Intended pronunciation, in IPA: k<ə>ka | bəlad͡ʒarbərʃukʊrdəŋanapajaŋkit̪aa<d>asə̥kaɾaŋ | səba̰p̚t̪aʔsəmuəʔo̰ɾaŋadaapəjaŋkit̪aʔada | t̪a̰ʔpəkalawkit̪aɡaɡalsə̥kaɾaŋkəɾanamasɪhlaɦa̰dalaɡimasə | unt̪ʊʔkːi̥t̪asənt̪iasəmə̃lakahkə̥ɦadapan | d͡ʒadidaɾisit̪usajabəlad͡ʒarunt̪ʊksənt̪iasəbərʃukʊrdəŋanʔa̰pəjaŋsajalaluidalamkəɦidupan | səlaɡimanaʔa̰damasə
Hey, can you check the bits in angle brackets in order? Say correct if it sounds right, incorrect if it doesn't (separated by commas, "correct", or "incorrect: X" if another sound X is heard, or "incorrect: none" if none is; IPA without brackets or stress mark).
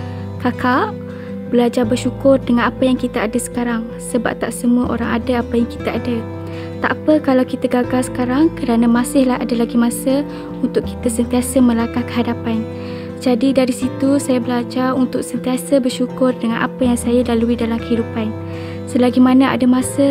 incorrect: a, correct